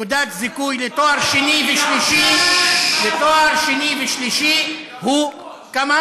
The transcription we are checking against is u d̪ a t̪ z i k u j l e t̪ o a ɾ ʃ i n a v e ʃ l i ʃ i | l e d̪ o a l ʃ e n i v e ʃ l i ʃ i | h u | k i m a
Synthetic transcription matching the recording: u d̪ a t̪ z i k u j l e t̪ o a ɾ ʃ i n i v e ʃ l i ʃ i | l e t̪ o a ɾ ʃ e n i v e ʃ l i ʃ i | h u | k a m a